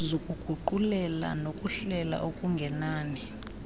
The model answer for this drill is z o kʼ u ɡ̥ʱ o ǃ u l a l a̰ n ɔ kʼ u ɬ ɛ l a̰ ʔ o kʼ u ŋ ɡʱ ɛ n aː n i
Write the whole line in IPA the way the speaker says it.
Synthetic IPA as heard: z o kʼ u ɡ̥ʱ u ǃ u l ɛ l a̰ n o kʼ u ɬ ɛ l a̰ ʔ o kʼ u ŋ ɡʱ ɛ n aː n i